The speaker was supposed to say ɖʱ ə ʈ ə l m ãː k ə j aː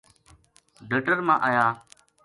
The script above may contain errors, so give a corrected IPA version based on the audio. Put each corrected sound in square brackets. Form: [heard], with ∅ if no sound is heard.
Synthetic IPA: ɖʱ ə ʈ ə [ɾ] m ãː [ʔ] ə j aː